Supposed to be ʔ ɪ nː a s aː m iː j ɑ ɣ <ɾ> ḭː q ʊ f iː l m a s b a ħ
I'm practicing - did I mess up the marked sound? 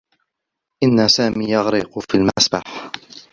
no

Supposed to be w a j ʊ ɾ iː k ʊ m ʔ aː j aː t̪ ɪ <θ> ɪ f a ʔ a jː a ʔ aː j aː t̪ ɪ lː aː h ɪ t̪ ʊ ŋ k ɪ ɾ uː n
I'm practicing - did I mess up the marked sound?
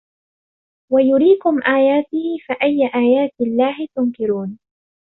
yes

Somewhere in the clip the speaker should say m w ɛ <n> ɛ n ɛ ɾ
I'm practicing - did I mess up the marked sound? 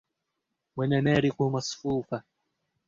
no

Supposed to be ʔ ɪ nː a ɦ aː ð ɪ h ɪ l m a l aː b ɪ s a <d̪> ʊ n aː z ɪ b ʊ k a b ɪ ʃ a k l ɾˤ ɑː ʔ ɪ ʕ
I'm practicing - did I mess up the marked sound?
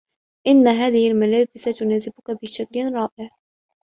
yes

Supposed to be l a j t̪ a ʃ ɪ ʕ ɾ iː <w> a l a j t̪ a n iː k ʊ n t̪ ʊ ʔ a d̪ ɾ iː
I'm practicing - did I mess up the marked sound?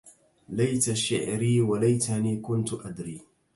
no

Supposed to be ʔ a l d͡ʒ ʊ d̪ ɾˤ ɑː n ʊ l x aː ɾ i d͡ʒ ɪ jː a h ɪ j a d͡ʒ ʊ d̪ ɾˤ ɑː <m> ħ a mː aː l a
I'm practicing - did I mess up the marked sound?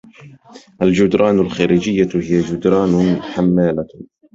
yes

